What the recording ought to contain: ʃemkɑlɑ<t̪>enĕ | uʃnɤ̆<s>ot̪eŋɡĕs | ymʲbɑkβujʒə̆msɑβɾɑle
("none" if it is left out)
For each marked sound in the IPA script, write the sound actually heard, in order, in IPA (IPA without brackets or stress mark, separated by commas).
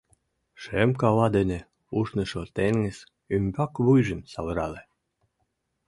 d̪, ʃ